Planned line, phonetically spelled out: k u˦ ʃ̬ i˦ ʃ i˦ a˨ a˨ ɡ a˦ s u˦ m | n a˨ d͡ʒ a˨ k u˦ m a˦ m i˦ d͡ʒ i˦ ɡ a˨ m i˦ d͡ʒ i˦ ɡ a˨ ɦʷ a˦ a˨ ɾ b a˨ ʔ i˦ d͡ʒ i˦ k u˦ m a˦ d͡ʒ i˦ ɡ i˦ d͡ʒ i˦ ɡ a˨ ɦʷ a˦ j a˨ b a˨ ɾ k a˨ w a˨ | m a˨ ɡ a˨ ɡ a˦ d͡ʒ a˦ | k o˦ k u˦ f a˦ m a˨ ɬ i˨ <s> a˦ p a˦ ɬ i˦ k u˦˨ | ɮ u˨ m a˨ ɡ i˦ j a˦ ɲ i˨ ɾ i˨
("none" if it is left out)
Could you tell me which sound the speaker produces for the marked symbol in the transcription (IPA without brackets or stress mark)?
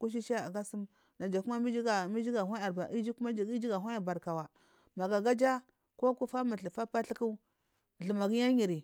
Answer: f